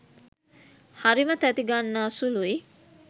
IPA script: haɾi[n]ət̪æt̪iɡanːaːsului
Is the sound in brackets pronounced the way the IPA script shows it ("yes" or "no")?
no